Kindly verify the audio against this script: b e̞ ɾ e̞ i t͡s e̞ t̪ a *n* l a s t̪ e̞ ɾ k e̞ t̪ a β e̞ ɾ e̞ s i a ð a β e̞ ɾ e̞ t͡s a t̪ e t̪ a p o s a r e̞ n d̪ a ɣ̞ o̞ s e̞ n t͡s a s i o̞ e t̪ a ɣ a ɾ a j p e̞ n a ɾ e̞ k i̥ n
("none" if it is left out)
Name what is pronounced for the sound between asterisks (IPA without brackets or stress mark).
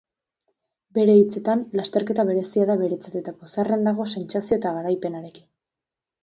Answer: n